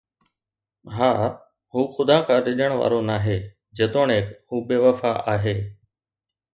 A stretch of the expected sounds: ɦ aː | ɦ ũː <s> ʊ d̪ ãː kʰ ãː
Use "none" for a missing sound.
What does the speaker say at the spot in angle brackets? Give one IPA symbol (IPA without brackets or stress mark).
x